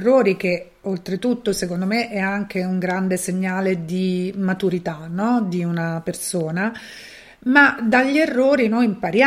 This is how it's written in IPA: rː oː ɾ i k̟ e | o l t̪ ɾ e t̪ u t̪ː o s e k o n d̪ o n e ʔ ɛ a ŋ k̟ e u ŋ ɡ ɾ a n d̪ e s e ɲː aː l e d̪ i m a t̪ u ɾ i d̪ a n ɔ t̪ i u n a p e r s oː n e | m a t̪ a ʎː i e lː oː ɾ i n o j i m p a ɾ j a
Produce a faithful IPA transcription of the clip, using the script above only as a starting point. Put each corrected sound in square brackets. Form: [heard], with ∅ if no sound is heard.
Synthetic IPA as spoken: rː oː ɾ i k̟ e | o l t̪ ɾ e t̪ u t̪ː o s e k o n d̪ o [m] e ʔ ɛ a ŋ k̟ e u ŋ ɡ ɾ a n d̪ e s e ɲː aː l e d̪ i m a t̪ u ɾ i [t̪] a n ɔ [d̪] i u n a p e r s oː n [a] | m a [d̪] a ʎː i e [rː] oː ɾ i n o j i m p a ɾ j a